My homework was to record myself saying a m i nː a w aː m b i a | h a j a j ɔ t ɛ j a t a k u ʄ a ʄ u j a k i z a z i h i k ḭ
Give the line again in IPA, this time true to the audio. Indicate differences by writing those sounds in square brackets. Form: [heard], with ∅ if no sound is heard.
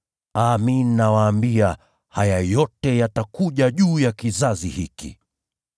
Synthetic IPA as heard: a m i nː a w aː m b i a | h a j a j ɔ t ɛ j a t a k u ʄ a ʄ [uː] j a k i z a z i h i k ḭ

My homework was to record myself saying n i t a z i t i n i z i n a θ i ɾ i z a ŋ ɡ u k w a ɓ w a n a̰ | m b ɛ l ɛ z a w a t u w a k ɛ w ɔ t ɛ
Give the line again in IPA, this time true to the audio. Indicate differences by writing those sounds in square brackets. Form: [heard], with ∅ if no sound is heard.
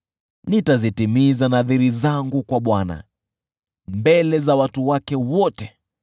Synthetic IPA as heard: n i t a z i t i [m] i z [a] n a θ i ɾ i z a ŋ ɡ u k w a ɓ w a n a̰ | m b ɛ l ɛ z a w a t u w a k ɛ w ɔ t ɛ

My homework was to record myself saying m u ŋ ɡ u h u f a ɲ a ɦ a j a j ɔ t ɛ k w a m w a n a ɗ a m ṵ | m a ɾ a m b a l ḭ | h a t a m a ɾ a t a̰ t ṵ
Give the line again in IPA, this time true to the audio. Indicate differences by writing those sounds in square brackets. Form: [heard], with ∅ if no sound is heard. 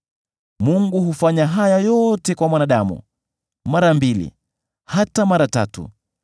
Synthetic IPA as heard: m u ŋ ɡ u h u f a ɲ a ɦ a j a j ɔ t ɛ k w a m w a n a ɗ a m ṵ | m a ɾ a m b [i] l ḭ | h a t a m a ɾ a t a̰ t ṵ

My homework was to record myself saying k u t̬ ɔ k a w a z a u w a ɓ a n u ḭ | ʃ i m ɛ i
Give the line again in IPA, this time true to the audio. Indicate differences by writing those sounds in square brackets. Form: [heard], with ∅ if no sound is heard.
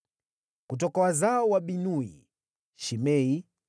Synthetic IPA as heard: k u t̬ ɔ k a w a z a [ɔ] w a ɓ [i] n u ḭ | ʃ i m ɛ i

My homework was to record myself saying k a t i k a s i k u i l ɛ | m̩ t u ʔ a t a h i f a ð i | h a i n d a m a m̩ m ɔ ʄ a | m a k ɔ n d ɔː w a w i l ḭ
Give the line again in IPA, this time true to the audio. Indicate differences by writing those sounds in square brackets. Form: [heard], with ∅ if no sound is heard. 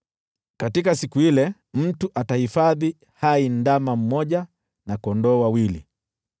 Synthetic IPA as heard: k a t i k a s i k u i l ɛ | m̩ t u ʔ a t a h i f a ð i | h a i n d a m a m̩ m ɔ ʄ a | [n] a k ɔ n d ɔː w a w i l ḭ

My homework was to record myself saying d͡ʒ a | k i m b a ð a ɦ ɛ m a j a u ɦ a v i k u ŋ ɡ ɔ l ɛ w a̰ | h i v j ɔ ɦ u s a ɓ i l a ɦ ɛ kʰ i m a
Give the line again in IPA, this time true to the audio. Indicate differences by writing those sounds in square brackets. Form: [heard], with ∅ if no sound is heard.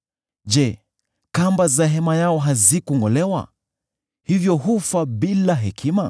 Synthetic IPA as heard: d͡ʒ [ɛ] | k [a] m b a [z] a ɦ ɛ m a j a [ɔ] ɦ a [z] i k u ŋ ɡ ɔ l ɛ w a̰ | h i v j ɔ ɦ u [f] a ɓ i l a ɦ ɛ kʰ i m a

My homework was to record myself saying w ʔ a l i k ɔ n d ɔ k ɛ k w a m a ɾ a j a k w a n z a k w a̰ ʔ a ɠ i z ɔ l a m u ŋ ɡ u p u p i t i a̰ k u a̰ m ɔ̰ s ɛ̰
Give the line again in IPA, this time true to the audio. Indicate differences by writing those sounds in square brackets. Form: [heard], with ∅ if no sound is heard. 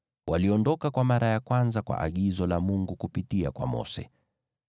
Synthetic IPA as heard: w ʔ a l i [∅] ɔ n d ɔ k [a] k w a m a ɾ a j a k w a n z a k w a̰ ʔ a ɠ i z ɔ l a m u ŋ ɡ u [k] u p i t i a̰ k [w] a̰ m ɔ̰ s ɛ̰

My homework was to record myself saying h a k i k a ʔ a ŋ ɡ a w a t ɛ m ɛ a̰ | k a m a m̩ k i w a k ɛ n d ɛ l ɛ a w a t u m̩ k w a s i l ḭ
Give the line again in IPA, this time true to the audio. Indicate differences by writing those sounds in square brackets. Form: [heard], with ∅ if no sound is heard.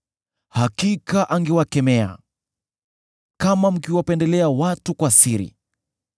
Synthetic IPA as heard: h a k i k a ʔ a ŋ ɡ [ɛ] w a [k] ɛ m ɛ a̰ | k a m a m̩ k i w a [p] ɛ n d ɛ l ɛ a w a t u [∅] k w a s i [ɾ] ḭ

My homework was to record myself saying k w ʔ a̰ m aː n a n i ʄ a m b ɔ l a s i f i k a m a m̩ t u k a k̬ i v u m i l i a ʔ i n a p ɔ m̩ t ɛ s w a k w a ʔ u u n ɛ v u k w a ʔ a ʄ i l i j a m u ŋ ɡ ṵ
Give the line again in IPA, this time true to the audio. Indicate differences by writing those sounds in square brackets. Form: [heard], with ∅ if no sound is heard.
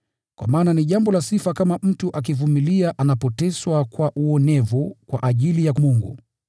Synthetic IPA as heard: k w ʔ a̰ m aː n a n i ʄ a m b ɔ l a s i f [a] k a m a m̩ t u [ʔ] a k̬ i v u m i l i a ʔ [a] n a p ɔ [∅] t ɛ s w a k w a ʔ u [ɔ] n ɛ v u k w a ʔ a ʄ i l i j a m u ŋ ɡ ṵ

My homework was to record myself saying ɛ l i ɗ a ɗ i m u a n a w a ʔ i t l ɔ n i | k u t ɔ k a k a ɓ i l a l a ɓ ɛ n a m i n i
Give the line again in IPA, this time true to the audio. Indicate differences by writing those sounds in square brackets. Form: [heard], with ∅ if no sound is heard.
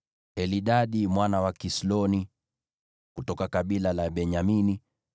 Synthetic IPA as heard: ɛ l i ɗ a ɗ i m [w] a n a w a [k] i [s] l ɔ n i | k u t ɔ k a k a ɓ i l a l a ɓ ɛ [ɲ] a m i n i

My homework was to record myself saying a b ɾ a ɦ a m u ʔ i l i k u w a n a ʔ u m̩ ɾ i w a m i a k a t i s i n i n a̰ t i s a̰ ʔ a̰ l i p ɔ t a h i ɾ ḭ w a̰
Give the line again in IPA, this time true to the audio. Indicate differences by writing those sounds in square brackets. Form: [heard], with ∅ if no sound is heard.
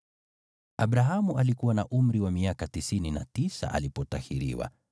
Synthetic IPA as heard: a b ɾ a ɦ a m u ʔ [a] l i k u w a n a ʔ u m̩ ɾ i w a m i a k a t i s i n i n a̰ t i s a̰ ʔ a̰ l i p ɔ t a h i ɾ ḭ w a̰

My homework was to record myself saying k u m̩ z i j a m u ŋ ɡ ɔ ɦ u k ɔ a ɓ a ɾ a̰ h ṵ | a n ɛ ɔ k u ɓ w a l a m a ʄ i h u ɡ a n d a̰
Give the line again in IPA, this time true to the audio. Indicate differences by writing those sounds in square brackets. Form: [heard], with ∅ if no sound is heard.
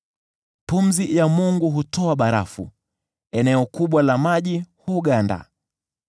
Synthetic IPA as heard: [p] u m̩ z i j a m u ŋ ɡ [u] ɦ u [t] ɔ a ɓ a ɾ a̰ [f] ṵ | [ɛ] n ɛ ɔ k u ɓ w a l a m a ʄ i h u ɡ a n d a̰

